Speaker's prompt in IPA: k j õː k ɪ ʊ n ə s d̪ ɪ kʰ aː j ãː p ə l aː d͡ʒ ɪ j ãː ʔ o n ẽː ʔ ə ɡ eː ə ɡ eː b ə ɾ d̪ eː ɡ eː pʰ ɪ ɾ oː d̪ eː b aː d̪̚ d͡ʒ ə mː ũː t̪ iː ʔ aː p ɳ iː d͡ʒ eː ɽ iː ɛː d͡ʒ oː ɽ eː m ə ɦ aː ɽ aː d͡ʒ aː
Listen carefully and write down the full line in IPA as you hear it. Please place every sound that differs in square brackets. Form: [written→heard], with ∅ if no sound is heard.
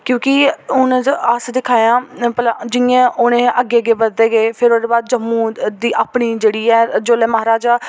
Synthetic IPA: k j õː k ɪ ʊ n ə s d̪ ɪ kʰ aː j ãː p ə l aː d͡ʒ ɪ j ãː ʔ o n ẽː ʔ ə ɡ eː ə ɡ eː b ə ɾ d̪ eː ɡ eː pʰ ɪ ɾ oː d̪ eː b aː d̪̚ d͡ʒ ə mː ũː [t̪→d̪] iː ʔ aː p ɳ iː d͡ʒ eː ɽ iː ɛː d͡ʒ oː [ɽ→l] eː m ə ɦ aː [ɽ→ɾ] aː d͡ʒ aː

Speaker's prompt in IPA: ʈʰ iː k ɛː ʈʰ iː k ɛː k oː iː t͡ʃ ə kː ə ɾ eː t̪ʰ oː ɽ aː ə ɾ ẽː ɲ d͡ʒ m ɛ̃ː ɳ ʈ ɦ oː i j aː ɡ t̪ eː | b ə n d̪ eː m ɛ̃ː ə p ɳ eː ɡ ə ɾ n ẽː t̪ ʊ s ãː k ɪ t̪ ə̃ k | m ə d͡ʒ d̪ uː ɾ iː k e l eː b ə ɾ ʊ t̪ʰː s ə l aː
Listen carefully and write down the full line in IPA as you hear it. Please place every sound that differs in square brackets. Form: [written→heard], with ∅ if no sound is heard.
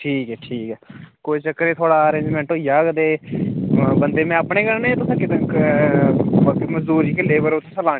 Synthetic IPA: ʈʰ iː k ɛː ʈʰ iː k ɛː k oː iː t͡ʃ ə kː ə ɾ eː t̪ʰ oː ɽ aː ə ɾ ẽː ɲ d͡ʒ m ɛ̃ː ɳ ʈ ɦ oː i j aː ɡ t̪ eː | b ə n d̪ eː m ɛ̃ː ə p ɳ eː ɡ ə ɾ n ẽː t̪ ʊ s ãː k ɪ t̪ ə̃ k | m ə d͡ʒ d̪ uː ɾ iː k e l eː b ə ɾ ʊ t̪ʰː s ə l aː

